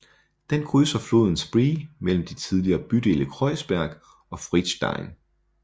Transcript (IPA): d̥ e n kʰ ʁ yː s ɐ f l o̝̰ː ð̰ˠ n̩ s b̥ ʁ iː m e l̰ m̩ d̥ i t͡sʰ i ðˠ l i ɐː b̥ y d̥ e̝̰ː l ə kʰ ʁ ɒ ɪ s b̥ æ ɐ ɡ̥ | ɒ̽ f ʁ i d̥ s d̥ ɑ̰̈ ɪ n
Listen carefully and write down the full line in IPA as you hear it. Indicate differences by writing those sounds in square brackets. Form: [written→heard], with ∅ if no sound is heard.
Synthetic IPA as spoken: d̥ e n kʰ ʁ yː s ɐ f l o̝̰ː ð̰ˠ n̩ s b̥ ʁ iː m e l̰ m̩ d̥ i t͡sʰ i ðˠ l i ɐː b̥ y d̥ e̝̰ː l ə kʰ ʁ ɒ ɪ s b̥ æ ɐ ɡ̥ | ɒ̽ f ʁ i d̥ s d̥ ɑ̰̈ ɪ n